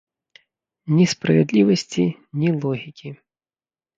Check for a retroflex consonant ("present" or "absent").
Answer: absent